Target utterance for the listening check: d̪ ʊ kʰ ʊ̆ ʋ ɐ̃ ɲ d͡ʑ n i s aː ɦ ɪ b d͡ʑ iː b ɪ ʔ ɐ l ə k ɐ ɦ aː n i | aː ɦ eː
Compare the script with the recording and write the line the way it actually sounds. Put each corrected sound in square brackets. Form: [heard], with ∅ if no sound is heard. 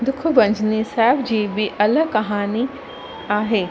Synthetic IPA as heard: d̪ ʊ kʰ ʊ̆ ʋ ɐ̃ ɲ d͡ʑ n i s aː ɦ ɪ b d͡ʑ iː b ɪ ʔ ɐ l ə k ɐ ɦ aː n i | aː ɦ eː